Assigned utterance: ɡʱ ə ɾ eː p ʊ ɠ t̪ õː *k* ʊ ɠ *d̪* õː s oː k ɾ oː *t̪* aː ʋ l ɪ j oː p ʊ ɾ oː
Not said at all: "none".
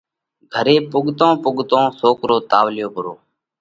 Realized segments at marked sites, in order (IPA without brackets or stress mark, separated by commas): p, t̪, t̪